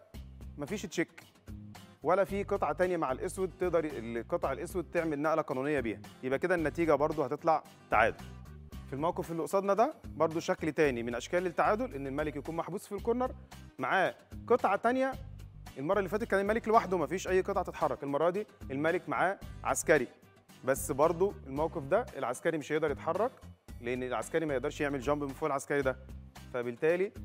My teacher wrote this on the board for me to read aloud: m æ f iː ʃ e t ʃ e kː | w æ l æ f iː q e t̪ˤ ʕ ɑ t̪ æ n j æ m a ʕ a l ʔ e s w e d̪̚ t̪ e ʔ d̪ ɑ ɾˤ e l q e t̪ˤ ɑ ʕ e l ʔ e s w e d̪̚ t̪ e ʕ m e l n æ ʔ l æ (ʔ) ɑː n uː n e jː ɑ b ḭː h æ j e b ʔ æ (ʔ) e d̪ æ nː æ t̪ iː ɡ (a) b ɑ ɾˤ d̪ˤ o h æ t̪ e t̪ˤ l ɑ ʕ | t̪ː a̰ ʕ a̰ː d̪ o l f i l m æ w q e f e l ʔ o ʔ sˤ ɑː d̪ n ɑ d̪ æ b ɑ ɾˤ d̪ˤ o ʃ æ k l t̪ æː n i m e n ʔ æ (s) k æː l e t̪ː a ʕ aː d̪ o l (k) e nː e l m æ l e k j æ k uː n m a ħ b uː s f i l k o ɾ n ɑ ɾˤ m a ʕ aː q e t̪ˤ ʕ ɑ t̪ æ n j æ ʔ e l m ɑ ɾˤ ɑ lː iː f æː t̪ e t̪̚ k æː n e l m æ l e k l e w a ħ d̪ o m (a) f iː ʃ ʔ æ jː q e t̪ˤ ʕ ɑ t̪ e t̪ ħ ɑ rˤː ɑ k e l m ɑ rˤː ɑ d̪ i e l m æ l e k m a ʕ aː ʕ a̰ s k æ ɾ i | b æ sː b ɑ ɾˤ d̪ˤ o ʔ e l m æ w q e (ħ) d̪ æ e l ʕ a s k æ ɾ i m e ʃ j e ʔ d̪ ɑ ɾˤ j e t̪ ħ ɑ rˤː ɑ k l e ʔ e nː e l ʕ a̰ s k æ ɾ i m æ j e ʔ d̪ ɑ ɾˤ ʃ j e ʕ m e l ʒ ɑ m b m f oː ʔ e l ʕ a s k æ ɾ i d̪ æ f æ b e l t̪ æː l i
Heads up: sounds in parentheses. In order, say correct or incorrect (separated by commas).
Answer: incorrect, incorrect, incorrect, incorrect, incorrect, incorrect, incorrect